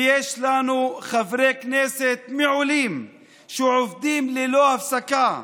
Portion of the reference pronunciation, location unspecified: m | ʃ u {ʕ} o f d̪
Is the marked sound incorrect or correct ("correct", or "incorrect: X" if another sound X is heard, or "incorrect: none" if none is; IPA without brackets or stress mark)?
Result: correct